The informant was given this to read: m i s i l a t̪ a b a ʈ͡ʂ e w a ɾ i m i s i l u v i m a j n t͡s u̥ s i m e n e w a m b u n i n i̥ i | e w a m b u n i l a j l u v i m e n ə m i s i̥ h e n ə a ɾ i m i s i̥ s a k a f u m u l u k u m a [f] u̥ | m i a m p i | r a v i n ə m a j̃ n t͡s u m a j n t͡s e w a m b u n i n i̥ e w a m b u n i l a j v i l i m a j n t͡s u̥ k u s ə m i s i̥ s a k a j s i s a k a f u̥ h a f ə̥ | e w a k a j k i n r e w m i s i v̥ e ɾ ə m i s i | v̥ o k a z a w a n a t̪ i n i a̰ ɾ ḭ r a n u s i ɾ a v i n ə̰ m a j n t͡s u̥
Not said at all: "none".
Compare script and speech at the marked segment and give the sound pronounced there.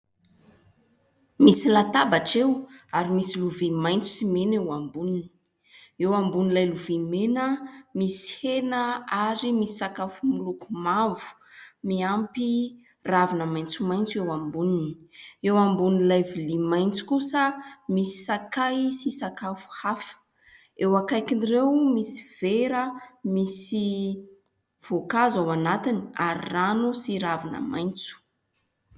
v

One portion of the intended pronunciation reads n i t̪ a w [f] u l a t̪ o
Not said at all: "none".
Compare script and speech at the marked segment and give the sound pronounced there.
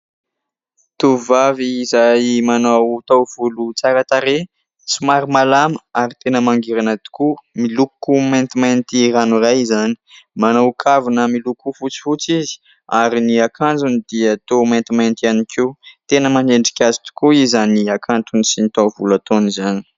v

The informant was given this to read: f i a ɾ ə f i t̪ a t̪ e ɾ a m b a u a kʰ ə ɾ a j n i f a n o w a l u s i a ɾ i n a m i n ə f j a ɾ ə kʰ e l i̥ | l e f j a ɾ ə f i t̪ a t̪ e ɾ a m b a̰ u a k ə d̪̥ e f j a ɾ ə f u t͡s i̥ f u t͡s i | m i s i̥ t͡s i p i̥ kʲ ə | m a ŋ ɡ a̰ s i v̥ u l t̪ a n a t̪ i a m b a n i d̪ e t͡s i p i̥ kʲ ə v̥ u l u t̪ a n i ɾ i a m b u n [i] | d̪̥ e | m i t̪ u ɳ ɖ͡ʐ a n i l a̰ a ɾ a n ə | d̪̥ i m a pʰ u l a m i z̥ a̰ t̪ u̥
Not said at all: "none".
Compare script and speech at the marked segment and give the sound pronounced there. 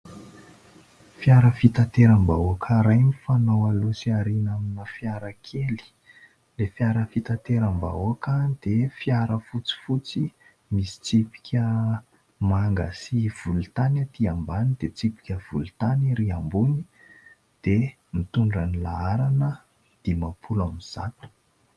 i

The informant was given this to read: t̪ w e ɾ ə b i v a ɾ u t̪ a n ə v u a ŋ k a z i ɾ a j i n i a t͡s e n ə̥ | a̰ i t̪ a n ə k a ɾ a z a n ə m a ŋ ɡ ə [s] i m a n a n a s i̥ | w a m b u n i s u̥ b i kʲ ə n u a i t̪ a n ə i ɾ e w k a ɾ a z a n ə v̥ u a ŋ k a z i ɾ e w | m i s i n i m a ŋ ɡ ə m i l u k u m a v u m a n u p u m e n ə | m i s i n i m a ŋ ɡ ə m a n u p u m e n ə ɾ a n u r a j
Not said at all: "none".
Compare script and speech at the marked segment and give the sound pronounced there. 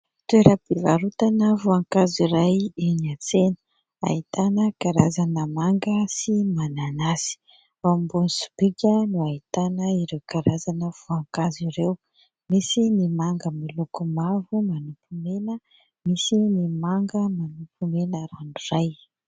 s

